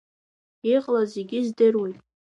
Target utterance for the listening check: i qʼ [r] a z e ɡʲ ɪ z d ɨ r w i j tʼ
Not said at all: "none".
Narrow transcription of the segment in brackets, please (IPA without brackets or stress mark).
l